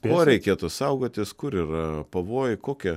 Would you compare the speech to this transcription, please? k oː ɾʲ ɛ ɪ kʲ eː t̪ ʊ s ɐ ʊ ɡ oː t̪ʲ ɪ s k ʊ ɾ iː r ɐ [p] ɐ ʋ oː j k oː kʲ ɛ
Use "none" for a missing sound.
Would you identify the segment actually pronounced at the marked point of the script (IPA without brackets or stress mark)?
p